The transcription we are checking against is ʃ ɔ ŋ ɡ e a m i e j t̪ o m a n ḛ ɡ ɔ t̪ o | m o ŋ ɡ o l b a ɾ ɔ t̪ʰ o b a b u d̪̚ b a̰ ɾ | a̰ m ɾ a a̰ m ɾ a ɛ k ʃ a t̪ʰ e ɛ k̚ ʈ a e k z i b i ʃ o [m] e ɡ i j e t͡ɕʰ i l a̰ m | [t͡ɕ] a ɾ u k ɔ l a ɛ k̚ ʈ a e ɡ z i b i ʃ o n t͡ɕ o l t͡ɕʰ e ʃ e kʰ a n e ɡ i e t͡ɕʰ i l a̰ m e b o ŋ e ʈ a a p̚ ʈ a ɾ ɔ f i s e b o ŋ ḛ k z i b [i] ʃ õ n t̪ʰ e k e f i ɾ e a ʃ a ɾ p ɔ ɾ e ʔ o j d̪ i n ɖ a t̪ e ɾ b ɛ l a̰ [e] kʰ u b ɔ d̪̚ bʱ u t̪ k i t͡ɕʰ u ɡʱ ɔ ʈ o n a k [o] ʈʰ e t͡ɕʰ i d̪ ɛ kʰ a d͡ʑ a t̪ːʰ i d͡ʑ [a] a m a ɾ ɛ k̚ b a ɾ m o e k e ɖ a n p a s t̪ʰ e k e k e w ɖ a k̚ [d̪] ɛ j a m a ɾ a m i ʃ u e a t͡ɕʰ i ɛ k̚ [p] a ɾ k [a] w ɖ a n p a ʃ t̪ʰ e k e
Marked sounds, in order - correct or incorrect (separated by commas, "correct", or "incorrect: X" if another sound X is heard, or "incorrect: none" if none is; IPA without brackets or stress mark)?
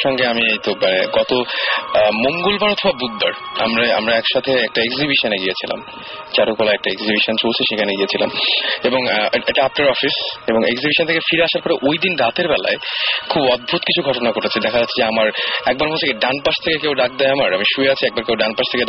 incorrect: n, correct, correct, correct, correct, incorrect: e, correct, incorrect: b, incorrect: e